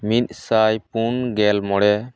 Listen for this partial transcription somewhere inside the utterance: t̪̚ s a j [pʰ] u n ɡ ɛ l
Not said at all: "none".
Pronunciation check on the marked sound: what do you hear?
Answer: p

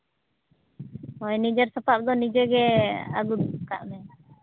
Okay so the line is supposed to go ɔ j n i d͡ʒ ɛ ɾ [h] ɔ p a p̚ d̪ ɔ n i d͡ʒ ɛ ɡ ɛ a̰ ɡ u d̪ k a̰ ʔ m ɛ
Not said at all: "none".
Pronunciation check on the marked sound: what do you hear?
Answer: s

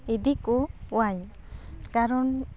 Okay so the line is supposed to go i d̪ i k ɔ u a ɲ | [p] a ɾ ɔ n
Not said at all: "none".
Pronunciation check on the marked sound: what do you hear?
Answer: k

